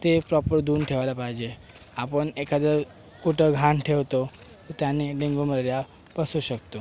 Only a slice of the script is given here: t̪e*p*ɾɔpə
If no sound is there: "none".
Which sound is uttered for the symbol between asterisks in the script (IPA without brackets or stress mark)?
p